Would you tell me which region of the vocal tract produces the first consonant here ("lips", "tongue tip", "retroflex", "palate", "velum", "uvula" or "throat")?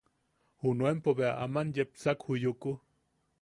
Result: throat